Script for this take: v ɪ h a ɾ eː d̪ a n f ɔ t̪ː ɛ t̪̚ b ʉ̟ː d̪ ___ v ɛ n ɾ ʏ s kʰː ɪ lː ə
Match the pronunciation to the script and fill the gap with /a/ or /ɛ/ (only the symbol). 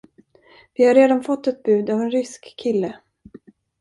a